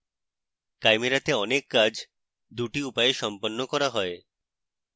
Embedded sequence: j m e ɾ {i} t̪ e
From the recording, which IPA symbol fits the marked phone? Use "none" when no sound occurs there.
a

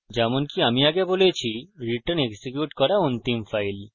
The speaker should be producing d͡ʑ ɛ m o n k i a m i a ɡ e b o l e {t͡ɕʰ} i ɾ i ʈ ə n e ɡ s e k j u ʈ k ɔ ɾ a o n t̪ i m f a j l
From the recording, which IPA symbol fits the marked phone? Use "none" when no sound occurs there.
t͡ɕʰ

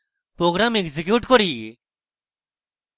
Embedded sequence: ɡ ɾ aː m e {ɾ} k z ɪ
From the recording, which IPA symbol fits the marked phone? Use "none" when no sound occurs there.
none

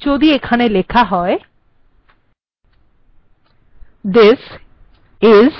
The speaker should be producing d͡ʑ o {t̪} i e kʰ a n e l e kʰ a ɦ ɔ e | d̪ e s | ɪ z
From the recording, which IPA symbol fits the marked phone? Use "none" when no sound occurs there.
d̪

